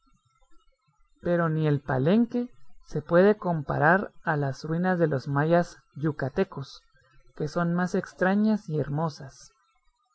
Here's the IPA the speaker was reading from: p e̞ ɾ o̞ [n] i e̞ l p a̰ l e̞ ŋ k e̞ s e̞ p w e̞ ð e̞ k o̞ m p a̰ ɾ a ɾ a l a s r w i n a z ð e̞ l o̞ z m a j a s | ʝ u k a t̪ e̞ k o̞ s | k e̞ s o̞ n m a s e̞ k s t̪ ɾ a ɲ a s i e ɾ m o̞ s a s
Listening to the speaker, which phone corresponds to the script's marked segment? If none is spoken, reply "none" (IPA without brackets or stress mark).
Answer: n